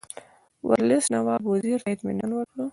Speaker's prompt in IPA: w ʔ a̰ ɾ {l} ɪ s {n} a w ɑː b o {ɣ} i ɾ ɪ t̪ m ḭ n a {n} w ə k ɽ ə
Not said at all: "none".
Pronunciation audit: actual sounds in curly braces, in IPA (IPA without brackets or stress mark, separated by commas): l, n, z, n